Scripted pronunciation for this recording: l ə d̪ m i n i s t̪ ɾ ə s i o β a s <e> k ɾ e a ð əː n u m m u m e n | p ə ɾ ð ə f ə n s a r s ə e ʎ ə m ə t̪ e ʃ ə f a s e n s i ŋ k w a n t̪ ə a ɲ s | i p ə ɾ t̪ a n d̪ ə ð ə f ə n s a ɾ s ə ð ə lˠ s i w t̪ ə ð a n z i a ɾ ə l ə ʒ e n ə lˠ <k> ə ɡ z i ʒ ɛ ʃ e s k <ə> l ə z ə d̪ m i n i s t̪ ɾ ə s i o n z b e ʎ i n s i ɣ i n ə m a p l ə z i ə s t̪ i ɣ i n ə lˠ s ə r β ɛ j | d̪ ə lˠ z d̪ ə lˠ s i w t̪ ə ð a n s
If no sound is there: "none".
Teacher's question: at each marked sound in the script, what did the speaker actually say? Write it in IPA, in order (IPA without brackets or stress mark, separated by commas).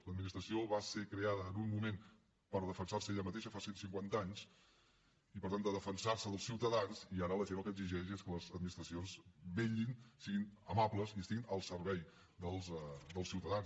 e, k, ə